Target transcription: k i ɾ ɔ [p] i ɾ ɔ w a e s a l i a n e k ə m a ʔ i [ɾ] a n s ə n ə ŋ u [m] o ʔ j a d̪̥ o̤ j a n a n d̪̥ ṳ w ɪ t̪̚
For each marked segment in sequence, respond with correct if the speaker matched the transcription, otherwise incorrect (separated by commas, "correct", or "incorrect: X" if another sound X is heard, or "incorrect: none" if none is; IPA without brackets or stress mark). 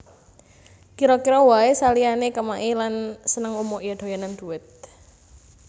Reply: incorrect: k, incorrect: l, correct